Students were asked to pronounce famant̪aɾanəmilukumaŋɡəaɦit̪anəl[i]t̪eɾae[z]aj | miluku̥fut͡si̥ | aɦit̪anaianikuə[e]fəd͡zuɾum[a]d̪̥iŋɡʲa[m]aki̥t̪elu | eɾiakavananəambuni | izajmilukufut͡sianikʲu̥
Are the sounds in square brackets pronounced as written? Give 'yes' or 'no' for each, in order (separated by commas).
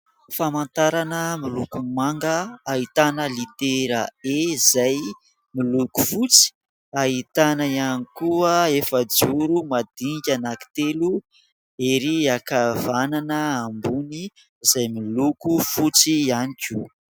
yes, yes, yes, yes, no